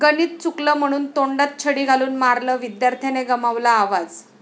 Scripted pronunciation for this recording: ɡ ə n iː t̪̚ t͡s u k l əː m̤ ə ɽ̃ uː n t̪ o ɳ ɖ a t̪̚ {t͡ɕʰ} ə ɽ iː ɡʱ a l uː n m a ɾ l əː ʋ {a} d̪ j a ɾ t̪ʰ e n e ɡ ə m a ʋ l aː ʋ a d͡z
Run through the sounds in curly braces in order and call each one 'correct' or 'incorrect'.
correct, incorrect: i

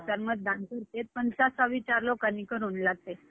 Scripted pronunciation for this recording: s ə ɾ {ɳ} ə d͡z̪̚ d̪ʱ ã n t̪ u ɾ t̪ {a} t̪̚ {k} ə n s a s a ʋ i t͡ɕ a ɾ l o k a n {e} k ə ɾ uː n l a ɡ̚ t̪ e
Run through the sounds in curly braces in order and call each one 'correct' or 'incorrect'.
incorrect: m, incorrect: e, incorrect: p, incorrect: i

